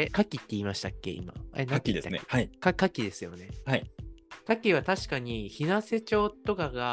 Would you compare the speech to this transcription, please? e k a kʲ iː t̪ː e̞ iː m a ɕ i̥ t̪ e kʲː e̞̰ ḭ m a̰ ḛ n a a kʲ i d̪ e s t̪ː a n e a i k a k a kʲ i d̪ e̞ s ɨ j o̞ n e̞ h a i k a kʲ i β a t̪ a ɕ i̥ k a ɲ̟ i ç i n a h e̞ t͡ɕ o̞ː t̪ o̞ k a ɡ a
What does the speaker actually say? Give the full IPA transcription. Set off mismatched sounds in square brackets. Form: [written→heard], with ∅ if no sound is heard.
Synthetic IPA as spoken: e k a kʲ [iː→i] t̪ː e̞ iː m a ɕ i̥ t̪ [e→a] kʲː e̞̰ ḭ m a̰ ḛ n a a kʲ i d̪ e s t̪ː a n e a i k a k a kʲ i d̪ e̞ s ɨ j o̞ n e̞ h a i k a kʲ i β a t̪ a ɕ i̥ k a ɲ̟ i ç i n a [h→s] e̞ t͡ɕ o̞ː t̪ o̞ k a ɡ a